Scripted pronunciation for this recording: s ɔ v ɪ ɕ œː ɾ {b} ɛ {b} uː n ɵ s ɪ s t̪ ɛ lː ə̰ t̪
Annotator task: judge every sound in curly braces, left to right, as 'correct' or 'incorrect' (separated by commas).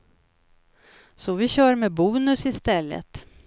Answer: incorrect, correct